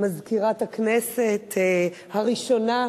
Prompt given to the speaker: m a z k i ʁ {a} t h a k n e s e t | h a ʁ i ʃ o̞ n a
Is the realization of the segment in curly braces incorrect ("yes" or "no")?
no